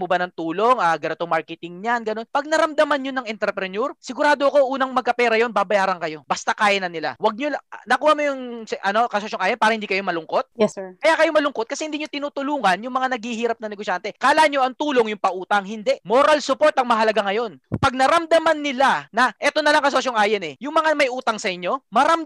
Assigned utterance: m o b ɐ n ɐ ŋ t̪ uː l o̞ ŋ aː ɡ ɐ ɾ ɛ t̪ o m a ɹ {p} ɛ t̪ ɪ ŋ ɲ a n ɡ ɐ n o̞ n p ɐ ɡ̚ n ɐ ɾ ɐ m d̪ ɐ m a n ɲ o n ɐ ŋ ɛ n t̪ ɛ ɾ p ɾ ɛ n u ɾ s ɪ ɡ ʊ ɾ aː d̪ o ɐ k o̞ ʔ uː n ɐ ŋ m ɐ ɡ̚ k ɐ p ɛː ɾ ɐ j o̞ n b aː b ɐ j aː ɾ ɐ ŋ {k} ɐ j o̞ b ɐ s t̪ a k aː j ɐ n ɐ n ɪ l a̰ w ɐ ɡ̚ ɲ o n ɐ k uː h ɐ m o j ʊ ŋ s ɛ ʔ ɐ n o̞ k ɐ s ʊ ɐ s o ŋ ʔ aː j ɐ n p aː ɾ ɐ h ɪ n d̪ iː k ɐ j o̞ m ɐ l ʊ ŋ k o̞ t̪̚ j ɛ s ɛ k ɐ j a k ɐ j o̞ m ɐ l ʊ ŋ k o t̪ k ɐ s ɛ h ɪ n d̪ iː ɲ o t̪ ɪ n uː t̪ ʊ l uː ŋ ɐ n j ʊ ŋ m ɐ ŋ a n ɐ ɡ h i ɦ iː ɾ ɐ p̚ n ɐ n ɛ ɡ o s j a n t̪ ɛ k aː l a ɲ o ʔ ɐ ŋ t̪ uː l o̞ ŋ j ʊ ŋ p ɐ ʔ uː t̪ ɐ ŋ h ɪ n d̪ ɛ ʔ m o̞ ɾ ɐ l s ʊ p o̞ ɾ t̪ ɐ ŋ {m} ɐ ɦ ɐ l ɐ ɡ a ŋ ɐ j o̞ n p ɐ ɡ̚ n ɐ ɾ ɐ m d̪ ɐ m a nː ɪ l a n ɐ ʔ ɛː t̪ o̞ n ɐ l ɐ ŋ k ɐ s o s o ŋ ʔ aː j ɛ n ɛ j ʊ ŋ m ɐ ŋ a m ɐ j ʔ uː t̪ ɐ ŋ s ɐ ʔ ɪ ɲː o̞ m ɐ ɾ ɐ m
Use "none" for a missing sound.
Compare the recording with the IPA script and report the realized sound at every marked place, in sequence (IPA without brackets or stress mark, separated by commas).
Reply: k, k, m